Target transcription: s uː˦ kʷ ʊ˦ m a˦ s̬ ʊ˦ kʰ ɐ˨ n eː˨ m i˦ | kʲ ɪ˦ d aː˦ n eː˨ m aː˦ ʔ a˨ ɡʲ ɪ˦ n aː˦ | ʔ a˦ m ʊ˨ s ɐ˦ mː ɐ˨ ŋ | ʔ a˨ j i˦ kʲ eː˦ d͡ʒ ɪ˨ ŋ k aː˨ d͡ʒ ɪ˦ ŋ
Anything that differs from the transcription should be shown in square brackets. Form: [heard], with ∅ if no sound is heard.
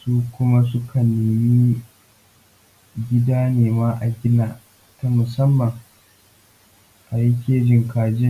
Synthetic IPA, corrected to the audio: s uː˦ kʷ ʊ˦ m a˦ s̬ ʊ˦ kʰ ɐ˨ n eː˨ m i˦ | [ɡʲ] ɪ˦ d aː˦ n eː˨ m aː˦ ʔ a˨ ɡʲ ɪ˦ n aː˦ | [t] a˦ m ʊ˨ s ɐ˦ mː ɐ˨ ŋ | ʔ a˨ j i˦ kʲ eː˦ d͡ʒ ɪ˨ ŋ k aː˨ d͡ʒ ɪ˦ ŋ

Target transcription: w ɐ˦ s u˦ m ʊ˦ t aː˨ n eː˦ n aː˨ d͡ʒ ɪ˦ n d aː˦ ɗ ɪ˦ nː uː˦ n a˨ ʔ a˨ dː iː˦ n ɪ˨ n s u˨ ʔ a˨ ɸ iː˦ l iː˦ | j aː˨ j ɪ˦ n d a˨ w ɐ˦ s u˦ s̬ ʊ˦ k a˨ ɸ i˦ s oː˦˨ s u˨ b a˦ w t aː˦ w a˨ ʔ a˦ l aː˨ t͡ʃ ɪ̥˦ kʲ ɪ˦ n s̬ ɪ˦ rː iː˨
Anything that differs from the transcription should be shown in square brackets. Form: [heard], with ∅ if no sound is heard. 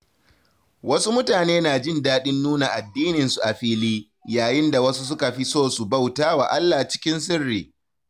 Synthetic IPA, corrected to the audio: w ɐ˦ s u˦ m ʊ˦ t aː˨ n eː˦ n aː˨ d͡ʒ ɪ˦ n d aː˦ ɗ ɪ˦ nː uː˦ n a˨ ʔ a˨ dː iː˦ n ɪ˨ n s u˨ ʔ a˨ ɸ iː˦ l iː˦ | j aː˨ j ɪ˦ n d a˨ w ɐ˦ s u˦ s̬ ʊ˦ k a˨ ɸ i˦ s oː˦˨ s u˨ b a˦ w t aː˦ w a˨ ʔ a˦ [lː] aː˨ t͡ʃ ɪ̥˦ kʲ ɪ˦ n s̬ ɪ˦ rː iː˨

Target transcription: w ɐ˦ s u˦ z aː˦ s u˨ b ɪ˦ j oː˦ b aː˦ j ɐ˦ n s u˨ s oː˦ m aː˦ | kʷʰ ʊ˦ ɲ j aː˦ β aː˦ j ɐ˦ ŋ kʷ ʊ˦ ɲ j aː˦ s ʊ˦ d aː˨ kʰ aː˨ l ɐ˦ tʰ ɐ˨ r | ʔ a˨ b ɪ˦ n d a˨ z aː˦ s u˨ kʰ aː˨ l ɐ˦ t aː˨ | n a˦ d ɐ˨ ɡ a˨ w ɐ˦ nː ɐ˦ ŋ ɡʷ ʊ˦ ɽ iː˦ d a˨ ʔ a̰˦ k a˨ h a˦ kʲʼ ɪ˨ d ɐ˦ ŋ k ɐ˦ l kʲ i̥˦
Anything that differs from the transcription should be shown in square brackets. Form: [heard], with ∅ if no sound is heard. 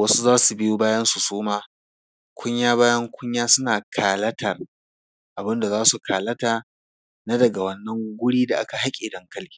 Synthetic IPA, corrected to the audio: w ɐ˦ s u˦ z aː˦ s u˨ b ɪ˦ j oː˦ b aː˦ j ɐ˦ n s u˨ s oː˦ m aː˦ | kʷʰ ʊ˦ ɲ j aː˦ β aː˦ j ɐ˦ ŋ kʷ ʊ˦ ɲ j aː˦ s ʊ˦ [n] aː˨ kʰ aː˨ l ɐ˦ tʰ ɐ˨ r | ʔ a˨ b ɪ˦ n d a˨ z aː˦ s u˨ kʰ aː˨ l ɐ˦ t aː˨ | n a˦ d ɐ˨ ɡ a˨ w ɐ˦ nː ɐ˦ ŋ ɡʷ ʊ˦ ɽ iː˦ d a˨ ʔ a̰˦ k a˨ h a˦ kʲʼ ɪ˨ d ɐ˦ ŋ k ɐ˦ l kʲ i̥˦

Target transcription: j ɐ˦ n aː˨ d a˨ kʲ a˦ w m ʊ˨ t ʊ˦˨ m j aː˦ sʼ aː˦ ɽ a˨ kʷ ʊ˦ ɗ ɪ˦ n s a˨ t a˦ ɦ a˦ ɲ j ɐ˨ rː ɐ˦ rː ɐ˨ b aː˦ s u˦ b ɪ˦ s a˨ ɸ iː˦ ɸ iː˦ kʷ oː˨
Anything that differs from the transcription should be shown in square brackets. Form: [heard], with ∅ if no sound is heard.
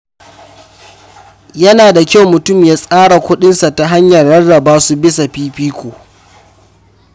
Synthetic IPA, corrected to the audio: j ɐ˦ n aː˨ d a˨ kʲ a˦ w m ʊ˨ t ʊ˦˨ m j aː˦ sʼ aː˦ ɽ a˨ kʷ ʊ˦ ɗ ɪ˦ n s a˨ t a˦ ɦ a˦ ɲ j ɐ˨ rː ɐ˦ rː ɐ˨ b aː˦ s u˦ b ɪ˦ s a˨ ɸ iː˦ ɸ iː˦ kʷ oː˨

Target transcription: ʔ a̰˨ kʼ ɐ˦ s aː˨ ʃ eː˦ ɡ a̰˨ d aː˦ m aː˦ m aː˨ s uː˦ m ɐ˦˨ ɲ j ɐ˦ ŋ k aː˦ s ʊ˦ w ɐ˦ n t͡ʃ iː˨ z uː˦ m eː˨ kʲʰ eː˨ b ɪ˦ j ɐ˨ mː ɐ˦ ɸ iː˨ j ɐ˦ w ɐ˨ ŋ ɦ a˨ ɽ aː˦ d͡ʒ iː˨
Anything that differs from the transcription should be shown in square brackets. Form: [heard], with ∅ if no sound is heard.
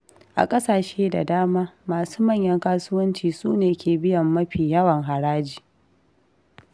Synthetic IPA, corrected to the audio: ʔ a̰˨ kʼ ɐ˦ s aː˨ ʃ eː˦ [d] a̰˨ d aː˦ m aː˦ m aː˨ s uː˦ m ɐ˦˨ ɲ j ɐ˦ ŋ k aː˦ s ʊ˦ w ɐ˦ n t͡ʃ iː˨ [s] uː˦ [n] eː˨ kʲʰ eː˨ b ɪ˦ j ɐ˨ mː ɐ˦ ɸ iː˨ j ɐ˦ w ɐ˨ ŋ ɦ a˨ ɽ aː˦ d͡ʒ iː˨

